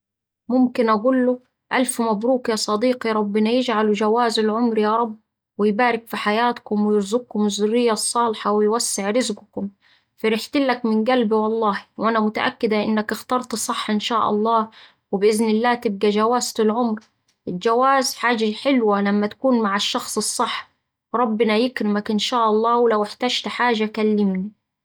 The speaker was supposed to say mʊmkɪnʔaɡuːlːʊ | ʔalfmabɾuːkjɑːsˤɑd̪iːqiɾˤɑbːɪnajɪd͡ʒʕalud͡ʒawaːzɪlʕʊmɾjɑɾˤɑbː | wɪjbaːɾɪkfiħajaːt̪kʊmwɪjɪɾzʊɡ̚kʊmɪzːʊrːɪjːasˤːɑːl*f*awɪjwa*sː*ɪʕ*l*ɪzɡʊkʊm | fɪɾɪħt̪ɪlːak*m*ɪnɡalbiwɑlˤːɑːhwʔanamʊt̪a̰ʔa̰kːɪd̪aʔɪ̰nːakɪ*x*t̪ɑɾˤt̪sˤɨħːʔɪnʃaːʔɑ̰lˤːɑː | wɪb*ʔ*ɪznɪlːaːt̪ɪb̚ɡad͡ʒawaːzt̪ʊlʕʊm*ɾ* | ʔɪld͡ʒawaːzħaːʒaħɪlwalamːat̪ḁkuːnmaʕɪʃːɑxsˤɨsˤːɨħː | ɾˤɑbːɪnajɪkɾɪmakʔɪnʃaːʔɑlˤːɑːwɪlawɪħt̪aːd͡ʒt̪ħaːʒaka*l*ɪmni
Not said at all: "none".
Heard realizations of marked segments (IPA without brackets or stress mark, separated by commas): ħ, sː, ɾ, m, x, ʔ, ɾ, lː